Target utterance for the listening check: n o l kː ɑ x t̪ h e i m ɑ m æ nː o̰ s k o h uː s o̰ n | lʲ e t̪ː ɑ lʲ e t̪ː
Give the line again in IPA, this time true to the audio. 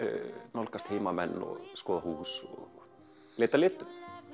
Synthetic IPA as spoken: n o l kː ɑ s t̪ h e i m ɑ m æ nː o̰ s k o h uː s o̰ | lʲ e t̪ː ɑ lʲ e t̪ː